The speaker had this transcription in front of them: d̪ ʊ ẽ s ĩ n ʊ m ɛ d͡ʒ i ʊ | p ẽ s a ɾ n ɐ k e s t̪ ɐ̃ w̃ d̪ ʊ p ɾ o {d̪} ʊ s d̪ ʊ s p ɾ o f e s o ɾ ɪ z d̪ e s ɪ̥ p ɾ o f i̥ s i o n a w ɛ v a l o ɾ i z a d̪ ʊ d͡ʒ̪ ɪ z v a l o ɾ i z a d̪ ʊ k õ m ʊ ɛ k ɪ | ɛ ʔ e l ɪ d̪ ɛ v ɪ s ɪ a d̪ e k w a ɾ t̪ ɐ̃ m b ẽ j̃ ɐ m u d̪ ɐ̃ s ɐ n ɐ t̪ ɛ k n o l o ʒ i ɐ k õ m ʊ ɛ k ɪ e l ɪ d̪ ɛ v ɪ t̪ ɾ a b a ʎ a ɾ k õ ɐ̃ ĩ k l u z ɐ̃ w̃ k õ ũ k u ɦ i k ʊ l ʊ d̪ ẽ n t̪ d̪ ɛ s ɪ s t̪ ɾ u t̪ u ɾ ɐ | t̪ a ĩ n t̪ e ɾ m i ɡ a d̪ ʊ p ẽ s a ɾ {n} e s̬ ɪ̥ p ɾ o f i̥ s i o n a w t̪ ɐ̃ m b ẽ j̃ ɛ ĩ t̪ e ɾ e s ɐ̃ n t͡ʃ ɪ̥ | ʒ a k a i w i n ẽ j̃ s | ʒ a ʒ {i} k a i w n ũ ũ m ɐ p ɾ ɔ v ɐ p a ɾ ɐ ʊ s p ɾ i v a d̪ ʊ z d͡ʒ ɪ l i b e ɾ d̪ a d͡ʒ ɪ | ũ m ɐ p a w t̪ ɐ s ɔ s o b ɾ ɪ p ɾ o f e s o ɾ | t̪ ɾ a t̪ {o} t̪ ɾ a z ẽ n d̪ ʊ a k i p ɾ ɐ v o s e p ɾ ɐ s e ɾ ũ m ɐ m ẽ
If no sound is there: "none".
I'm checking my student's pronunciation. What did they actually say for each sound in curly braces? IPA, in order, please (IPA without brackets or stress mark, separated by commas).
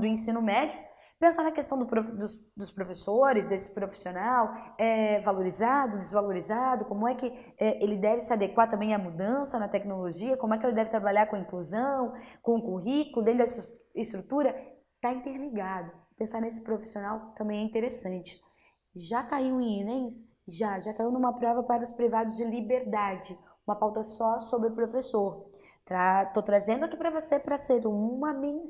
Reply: d̪, n, a, o